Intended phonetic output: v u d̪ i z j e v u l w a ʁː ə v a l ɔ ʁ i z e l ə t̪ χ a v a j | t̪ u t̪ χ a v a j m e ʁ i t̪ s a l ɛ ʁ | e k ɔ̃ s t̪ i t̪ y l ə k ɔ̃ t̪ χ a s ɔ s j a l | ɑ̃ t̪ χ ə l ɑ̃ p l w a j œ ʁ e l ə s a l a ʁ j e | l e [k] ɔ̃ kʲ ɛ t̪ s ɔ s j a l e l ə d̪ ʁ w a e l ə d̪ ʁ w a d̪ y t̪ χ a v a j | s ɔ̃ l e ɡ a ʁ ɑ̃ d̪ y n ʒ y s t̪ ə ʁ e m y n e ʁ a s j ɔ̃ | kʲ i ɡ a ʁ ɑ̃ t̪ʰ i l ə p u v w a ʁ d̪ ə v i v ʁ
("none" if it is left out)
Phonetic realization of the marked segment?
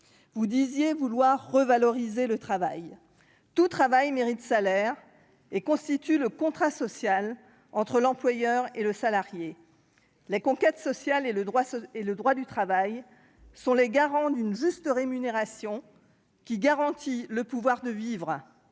k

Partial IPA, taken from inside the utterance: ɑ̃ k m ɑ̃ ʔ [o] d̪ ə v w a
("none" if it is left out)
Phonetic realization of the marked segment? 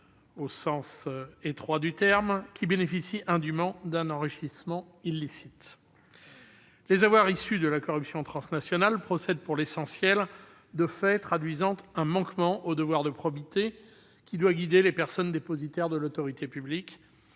o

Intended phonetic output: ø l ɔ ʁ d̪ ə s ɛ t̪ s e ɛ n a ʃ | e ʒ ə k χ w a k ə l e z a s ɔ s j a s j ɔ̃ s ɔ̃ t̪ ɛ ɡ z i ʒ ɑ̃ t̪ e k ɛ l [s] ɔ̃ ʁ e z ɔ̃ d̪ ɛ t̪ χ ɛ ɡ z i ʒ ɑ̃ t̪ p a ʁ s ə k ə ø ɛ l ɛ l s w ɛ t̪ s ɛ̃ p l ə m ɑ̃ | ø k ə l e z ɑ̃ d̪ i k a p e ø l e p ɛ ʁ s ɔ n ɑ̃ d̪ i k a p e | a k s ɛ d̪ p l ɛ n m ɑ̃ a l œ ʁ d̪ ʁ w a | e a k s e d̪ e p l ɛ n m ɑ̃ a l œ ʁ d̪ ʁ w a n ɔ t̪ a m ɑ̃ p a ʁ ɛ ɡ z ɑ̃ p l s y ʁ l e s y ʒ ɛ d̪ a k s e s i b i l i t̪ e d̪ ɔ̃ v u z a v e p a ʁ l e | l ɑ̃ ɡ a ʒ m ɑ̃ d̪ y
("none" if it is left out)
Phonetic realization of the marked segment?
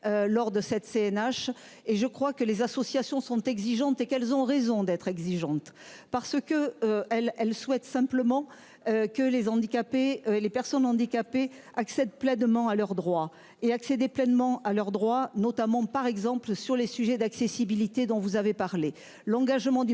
z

